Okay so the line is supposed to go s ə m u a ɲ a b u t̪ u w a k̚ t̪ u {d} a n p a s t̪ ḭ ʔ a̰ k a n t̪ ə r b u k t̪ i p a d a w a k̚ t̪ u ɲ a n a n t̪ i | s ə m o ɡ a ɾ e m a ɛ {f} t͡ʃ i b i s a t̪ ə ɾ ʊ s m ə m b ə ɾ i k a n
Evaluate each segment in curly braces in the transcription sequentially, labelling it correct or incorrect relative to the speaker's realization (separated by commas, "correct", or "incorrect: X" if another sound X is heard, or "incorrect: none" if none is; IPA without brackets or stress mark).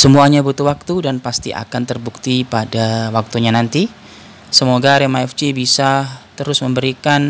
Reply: correct, correct